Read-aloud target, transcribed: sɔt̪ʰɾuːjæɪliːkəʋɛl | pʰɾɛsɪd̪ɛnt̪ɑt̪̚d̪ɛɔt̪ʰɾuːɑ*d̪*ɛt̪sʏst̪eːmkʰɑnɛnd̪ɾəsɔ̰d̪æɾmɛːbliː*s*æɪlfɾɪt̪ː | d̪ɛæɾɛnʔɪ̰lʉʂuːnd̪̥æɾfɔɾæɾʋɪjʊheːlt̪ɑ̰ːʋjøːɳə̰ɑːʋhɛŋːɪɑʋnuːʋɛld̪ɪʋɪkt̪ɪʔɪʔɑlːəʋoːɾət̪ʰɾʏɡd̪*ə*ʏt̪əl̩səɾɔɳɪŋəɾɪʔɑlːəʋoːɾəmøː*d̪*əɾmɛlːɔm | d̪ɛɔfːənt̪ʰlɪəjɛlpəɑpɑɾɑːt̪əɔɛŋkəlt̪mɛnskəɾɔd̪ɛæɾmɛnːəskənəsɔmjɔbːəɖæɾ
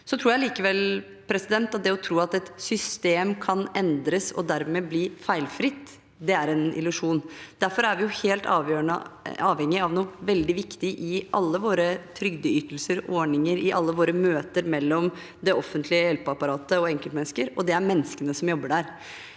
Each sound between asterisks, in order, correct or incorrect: incorrect: t̪, incorrect: f, correct, incorrect: t̪

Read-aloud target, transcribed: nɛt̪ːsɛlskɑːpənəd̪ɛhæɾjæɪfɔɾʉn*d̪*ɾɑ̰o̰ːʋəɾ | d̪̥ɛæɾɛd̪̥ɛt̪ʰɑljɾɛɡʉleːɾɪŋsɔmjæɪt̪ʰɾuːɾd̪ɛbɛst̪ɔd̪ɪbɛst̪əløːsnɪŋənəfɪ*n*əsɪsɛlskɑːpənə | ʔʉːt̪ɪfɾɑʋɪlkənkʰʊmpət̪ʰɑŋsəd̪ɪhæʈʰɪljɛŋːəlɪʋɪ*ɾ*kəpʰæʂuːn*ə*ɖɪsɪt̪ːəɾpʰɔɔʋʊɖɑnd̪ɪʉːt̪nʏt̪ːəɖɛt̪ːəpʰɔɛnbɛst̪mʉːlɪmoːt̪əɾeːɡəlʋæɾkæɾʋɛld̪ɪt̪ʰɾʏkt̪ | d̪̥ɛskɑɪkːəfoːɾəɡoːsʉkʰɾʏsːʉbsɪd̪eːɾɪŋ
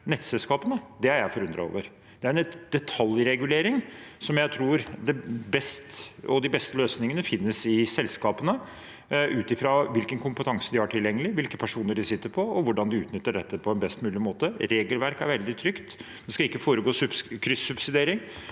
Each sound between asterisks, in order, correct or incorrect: correct, incorrect: nː, incorrect: l, correct

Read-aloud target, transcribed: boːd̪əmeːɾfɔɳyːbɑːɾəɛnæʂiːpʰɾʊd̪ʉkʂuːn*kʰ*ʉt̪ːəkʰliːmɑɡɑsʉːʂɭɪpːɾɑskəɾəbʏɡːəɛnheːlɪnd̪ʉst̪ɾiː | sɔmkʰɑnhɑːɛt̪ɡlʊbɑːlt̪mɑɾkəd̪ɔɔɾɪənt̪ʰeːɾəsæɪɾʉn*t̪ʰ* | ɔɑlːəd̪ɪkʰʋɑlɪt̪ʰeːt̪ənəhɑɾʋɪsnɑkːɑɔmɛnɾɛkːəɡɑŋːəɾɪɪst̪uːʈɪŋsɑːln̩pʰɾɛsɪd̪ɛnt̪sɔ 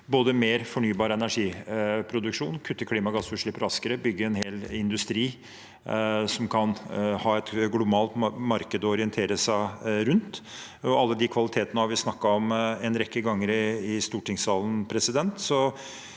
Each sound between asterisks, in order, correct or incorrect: correct, incorrect: t̪

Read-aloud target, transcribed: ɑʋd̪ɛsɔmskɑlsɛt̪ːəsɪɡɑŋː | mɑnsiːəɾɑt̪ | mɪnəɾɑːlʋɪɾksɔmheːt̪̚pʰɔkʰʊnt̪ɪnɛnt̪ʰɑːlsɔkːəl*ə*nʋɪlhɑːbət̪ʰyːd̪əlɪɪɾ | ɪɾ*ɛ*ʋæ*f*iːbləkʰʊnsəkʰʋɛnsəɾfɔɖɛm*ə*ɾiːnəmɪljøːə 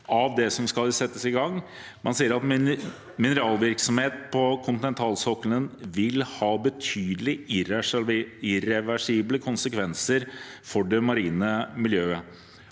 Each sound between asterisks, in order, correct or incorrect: correct, correct, incorrect: ʂ, incorrect: ɑ

